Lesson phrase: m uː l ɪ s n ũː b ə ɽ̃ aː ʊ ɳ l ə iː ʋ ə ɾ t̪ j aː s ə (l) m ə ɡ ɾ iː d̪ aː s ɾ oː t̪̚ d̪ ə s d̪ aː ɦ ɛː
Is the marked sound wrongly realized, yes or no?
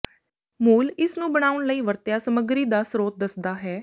yes